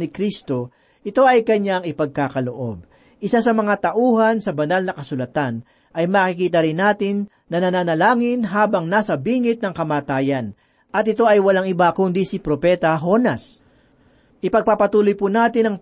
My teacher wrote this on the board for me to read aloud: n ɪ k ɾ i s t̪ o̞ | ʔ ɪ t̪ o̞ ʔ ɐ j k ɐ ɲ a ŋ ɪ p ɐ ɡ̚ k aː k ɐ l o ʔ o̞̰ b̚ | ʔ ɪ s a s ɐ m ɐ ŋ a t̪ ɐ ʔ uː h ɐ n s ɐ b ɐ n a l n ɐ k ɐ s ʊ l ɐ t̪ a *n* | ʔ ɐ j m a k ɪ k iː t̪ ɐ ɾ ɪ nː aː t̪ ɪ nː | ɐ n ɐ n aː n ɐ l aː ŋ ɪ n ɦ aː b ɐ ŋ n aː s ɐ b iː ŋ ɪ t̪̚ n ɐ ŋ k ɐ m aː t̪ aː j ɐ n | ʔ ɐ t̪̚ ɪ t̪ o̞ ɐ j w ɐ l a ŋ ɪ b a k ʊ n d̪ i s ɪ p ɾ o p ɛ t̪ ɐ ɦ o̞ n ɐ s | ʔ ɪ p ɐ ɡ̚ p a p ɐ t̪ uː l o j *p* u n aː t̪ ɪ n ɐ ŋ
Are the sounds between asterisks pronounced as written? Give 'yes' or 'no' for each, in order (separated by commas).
yes, yes